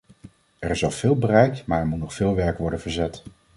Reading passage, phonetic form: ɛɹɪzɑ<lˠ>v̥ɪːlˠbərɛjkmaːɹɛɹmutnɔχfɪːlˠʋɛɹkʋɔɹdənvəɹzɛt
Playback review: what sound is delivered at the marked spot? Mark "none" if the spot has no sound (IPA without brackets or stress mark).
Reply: lˠ